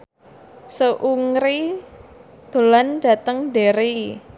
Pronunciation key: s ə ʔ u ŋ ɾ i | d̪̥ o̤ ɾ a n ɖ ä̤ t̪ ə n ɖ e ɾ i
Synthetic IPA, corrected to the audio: s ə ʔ u ŋ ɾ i | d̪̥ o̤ l a n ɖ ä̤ t̪ ə ŋ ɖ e ɾ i